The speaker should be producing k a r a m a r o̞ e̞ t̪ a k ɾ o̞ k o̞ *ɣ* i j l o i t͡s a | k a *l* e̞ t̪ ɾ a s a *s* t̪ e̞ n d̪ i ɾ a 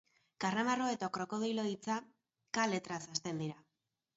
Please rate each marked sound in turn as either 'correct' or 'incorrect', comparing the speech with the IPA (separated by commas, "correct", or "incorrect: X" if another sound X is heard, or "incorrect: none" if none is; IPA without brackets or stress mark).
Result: incorrect: ð, correct, correct